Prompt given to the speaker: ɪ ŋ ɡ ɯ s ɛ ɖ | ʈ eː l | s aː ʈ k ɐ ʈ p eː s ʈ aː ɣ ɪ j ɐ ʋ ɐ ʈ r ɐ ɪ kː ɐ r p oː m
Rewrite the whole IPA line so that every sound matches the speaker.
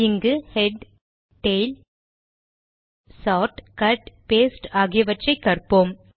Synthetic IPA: ɪ ŋ ɡ ɯ h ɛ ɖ | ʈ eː l | s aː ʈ k ɐ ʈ p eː s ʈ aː ɣ ɪ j ɐ ʋ ɐ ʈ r ɐ ɪ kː ɐ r p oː m

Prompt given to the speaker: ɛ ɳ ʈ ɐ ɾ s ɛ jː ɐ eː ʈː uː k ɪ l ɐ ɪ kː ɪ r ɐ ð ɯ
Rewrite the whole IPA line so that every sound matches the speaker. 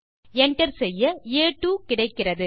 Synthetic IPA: ɛ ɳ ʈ ɐ ɾ s ɛ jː ɐ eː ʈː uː k ɪ ɽ ɐ ɪ kː ɪ r ɐ ð ɯ

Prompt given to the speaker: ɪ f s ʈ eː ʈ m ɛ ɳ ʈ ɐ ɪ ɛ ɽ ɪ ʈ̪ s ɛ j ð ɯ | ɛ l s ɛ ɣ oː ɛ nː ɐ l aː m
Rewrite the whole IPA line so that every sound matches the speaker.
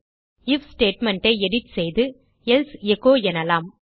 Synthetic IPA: ɪ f s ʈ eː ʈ m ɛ ɳ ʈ ɐ ɪ ɛ ɽ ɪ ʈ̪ s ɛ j ð ɯ | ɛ l s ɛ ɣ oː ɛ n ɐ l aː m

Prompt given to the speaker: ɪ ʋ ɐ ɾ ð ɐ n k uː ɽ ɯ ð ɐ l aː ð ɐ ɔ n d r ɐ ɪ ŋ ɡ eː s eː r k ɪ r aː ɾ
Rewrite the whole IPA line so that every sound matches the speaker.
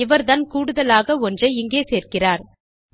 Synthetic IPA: ɪ ʋ ɐ ɾ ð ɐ n k uː ɽ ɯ ð ɐ l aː ɣ ɐ ɔ n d r ɐ ɪ ŋ ɡ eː s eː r k ɪ r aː ɾ

